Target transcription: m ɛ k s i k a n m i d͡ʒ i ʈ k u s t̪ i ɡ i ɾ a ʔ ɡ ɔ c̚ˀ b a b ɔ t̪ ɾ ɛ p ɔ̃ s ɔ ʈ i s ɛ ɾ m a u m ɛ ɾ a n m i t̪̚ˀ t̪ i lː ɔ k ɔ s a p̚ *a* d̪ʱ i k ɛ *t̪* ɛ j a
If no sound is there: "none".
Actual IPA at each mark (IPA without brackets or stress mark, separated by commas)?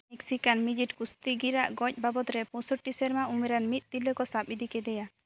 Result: i, d̪